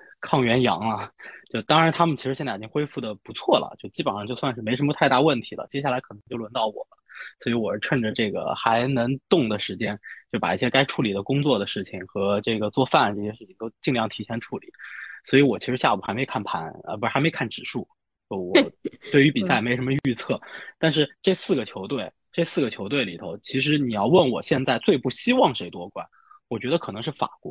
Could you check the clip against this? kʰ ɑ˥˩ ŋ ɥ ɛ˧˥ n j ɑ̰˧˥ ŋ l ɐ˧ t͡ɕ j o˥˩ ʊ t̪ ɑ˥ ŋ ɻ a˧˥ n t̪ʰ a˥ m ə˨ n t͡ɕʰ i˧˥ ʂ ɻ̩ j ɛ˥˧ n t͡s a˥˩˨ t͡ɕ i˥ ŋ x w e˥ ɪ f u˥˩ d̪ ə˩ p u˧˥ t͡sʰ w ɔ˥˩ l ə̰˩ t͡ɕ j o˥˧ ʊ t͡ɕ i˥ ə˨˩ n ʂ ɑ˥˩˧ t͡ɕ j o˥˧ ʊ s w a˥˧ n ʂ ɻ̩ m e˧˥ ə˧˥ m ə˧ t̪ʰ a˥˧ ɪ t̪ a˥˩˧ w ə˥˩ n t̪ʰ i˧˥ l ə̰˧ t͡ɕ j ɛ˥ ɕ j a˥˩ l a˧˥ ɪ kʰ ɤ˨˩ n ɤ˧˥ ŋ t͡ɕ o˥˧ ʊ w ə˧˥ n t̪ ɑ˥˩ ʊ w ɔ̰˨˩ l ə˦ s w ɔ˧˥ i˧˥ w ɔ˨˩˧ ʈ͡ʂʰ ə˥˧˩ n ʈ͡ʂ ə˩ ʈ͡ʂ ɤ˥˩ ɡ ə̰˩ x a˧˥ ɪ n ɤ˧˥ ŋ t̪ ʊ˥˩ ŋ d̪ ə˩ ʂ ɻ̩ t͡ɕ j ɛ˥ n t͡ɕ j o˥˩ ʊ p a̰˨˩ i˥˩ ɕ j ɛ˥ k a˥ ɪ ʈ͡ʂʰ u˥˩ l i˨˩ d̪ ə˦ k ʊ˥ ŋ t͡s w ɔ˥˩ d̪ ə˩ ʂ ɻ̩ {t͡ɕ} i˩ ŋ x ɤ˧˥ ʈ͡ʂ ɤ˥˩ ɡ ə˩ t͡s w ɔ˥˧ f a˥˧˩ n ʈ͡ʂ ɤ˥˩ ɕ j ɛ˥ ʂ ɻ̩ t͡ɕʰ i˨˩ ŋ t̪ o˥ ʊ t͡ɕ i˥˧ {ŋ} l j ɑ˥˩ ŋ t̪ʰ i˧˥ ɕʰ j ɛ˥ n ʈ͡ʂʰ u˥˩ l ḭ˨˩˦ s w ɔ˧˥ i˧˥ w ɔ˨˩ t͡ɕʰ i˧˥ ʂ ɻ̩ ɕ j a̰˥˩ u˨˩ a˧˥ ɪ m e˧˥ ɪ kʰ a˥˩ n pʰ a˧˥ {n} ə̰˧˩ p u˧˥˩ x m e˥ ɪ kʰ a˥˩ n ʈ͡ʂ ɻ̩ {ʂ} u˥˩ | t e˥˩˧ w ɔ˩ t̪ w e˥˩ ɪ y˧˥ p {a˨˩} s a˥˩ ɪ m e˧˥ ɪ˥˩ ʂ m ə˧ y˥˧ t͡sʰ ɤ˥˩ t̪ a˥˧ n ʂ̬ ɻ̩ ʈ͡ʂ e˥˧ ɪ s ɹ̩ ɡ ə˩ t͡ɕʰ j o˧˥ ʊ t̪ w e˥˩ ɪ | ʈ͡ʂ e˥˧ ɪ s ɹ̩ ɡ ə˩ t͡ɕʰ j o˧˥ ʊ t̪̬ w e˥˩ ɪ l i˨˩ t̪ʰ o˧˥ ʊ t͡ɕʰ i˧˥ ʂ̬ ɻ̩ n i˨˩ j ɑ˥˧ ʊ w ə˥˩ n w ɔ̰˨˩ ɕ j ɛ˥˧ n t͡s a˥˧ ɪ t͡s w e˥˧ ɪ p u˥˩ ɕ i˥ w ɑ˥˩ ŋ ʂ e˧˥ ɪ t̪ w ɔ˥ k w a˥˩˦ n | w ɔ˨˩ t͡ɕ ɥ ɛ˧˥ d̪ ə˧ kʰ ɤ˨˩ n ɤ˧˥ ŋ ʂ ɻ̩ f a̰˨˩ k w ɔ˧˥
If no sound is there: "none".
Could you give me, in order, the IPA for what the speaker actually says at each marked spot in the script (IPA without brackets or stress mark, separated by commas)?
t͡ɕʰ, ŋ, n, ʂ, i˨˩